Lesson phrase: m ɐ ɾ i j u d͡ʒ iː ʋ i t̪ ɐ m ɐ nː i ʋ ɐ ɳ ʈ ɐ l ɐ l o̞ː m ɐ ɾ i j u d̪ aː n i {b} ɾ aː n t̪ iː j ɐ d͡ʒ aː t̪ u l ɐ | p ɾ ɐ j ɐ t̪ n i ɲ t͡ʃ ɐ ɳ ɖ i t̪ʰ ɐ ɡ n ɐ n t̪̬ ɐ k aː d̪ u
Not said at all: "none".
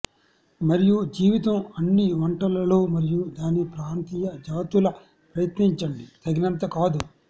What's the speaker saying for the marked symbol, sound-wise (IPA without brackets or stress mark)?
p